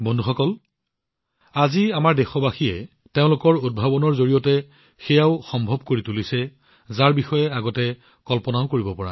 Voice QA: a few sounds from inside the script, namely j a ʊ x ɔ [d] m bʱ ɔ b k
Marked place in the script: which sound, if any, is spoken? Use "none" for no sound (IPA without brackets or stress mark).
none